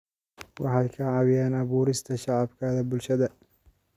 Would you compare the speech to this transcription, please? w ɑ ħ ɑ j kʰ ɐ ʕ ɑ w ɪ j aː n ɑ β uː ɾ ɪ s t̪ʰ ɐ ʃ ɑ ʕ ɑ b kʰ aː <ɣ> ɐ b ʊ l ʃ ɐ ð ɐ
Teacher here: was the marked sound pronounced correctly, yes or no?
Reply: no